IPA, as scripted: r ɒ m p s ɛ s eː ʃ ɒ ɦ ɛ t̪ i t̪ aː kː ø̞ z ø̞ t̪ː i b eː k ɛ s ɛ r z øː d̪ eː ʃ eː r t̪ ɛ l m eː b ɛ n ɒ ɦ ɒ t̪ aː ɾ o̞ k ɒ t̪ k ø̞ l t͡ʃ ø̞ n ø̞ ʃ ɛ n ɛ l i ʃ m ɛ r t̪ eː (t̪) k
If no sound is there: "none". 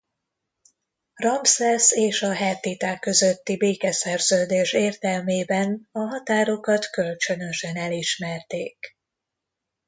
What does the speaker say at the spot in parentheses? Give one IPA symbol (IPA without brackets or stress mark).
none